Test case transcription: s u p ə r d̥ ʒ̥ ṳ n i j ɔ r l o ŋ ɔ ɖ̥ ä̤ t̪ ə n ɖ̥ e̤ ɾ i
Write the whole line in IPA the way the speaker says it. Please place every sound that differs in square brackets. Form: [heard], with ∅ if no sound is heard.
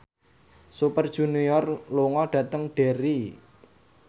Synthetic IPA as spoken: s u p ə r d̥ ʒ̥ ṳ n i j ɔ r l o ŋ ɔ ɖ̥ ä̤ t̪ ə [ŋ] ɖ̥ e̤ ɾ i